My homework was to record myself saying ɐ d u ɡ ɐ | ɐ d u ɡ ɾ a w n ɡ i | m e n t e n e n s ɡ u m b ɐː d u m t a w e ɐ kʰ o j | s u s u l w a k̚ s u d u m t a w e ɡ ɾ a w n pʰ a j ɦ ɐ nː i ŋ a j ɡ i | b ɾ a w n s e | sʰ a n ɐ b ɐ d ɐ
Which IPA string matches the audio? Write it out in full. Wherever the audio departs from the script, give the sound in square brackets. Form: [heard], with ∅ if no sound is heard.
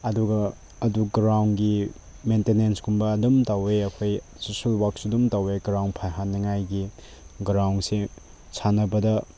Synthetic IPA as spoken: ɐ d u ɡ ɐ | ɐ d u ɡ ɾ a w n ɡ i | m e n t e n e n s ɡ u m b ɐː d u m t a w e ɐ kʰ o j | s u s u l w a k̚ s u d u m t a w e ɡ ɾ a w n pʰ a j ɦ [a] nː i ŋ a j ɡ i | [ɡ] ɾ a w n s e | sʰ a n ɐ b ɐ d ɐ